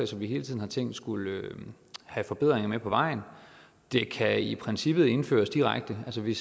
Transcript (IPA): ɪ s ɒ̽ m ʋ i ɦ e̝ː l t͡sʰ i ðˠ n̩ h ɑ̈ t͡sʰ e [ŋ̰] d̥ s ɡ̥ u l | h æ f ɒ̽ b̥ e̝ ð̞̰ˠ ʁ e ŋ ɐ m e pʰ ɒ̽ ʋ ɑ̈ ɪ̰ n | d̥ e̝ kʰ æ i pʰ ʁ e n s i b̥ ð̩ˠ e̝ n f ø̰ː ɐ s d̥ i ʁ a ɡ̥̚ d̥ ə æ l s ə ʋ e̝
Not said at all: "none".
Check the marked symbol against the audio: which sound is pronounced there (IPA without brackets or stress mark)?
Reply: ŋ̰